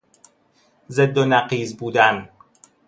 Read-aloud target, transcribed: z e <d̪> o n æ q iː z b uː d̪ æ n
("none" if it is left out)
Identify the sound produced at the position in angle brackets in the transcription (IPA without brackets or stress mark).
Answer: d̪ː